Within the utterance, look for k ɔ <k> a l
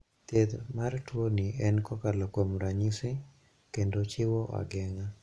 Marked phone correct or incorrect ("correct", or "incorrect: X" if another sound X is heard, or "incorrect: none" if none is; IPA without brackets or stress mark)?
correct